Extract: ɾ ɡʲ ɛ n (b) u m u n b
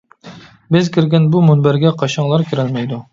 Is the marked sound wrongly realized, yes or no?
no